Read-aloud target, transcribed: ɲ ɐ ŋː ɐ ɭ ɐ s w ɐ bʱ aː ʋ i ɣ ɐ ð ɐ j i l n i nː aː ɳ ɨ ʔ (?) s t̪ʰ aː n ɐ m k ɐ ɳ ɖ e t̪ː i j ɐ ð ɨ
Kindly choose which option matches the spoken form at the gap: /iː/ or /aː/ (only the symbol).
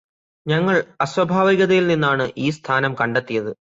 iː